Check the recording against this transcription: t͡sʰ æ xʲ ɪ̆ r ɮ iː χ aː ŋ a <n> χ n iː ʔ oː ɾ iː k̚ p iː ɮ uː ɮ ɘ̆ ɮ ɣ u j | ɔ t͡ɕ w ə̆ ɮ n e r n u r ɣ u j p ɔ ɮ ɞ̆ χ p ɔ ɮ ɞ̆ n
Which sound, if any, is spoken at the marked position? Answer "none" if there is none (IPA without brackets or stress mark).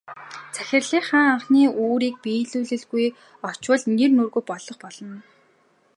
ɴ